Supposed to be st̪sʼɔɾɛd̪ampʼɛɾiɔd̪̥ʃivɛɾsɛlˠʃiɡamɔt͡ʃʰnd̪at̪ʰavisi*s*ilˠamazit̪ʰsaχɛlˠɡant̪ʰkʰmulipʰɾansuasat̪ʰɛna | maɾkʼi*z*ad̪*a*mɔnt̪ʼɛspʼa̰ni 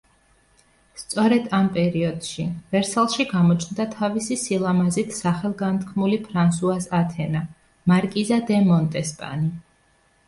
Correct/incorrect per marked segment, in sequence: correct, correct, incorrect

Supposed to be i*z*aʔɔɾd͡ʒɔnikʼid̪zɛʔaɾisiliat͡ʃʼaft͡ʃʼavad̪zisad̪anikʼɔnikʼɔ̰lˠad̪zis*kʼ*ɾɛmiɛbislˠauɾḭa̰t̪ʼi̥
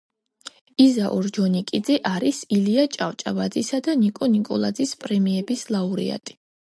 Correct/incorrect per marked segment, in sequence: correct, incorrect

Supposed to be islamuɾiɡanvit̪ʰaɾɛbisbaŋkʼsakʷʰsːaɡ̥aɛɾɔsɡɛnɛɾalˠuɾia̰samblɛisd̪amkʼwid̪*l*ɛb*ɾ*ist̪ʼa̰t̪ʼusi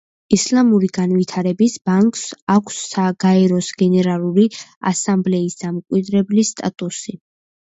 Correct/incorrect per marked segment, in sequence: incorrect, incorrect

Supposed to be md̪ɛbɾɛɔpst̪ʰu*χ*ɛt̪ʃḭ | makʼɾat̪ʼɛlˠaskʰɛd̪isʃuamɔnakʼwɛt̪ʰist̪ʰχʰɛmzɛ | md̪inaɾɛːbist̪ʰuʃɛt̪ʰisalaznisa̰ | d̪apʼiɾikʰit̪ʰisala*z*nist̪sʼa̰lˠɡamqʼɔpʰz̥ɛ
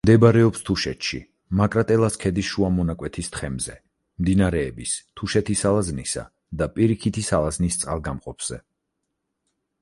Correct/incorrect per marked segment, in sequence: incorrect, correct

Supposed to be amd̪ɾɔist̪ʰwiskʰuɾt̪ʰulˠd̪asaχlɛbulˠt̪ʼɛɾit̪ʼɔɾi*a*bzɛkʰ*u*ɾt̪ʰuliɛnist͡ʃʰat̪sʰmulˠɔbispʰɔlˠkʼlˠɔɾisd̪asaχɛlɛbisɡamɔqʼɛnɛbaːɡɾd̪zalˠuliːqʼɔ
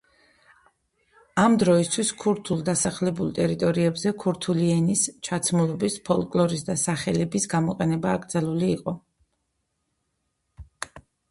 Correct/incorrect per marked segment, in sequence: incorrect, correct

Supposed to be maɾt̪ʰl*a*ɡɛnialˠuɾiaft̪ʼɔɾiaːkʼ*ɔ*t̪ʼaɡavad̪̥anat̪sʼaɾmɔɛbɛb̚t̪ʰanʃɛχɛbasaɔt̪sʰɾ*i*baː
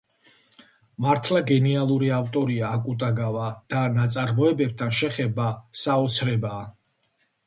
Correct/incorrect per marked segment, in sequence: correct, incorrect, incorrect

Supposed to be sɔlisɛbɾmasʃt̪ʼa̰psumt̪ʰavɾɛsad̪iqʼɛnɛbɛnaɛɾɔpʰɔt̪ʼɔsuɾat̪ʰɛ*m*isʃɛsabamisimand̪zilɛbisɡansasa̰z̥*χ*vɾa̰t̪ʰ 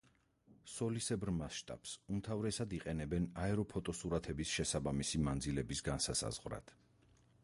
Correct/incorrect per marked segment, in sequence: incorrect, incorrect

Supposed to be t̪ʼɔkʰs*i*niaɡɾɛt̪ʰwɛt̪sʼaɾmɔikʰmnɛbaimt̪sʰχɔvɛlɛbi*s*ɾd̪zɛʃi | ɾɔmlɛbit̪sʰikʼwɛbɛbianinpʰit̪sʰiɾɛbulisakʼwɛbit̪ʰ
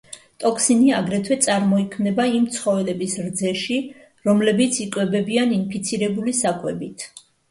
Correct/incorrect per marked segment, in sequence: correct, correct

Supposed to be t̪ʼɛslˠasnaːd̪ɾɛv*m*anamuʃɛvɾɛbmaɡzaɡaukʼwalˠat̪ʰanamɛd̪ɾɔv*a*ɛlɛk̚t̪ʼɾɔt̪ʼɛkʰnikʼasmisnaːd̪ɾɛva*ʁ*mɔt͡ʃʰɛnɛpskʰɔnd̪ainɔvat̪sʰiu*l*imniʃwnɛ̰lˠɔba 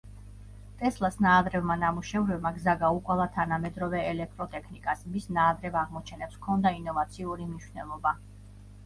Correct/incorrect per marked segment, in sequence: correct, incorrect, correct, incorrect

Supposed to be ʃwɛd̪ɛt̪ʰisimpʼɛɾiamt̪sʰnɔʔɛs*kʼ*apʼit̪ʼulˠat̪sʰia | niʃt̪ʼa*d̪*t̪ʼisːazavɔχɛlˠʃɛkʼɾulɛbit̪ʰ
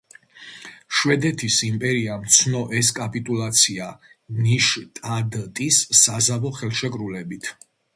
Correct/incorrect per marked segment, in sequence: correct, correct

